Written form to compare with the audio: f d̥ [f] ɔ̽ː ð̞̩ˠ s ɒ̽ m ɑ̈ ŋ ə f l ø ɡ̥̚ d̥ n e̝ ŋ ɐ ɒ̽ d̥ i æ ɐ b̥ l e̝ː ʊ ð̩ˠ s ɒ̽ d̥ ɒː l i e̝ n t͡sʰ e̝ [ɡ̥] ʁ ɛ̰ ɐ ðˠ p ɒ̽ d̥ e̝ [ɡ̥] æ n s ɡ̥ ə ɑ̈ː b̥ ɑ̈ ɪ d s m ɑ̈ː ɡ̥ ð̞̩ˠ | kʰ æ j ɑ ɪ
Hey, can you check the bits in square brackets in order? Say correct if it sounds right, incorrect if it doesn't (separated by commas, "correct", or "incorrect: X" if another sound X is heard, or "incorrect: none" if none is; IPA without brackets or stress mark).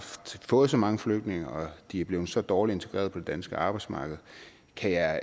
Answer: correct, correct, incorrect: d̥